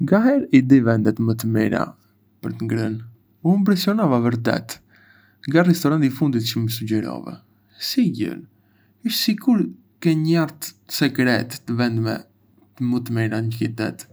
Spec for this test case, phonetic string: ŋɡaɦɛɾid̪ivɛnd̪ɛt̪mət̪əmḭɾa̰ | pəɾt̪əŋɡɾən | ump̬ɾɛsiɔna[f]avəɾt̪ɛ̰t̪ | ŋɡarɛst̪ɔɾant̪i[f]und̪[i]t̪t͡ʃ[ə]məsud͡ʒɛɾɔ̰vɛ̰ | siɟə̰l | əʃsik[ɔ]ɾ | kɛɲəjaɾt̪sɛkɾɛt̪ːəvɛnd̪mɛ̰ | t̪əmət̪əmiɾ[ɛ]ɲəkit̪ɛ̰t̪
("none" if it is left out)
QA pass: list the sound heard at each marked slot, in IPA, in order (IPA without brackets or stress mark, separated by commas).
v, f, i, ə, u, a